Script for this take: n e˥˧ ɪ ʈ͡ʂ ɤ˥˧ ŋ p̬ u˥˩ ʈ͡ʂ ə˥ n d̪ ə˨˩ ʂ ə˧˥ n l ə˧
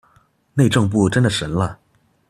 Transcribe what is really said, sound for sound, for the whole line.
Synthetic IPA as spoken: n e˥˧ ɪ ʈ͡ʂ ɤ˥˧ ŋ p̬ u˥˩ ʈ͡ʂ ə˥ n d̪ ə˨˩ ʂ ə˧˥ n l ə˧